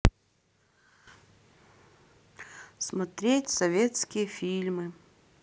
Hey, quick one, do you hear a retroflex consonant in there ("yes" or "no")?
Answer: no